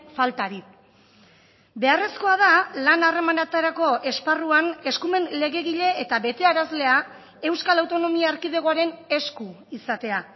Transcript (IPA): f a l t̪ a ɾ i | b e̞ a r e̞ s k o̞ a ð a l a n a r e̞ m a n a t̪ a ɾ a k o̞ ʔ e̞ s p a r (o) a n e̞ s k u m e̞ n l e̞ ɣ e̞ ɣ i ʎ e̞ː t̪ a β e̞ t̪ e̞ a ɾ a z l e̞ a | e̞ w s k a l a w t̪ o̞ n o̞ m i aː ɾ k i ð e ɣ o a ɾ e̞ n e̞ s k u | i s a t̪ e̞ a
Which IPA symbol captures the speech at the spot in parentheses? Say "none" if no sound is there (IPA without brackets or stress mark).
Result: u